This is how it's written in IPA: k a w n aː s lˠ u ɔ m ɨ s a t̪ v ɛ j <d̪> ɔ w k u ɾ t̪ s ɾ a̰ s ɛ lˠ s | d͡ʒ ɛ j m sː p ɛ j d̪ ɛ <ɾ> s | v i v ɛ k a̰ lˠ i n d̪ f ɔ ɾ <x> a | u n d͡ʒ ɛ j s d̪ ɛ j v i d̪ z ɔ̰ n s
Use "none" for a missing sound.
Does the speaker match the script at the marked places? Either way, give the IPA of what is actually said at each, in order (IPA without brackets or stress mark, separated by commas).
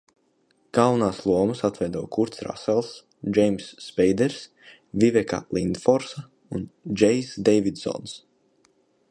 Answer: d̪, ɾ, s